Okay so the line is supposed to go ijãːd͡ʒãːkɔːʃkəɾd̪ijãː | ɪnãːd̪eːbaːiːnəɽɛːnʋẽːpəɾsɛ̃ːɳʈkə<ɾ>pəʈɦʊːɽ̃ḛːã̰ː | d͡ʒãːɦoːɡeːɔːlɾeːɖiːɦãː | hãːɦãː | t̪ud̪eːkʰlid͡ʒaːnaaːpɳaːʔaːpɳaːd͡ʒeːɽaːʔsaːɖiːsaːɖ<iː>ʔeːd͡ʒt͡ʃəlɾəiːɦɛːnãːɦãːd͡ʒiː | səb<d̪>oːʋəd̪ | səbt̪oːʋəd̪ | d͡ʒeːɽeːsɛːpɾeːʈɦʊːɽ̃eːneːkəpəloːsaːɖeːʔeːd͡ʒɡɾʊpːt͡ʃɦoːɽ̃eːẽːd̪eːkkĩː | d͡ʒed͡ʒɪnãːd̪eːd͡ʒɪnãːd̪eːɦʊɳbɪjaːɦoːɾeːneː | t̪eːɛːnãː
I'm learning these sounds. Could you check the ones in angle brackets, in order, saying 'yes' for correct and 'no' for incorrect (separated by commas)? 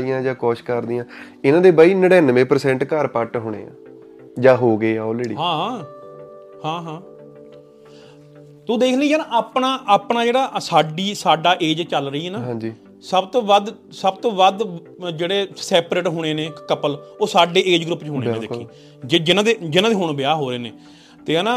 yes, no, no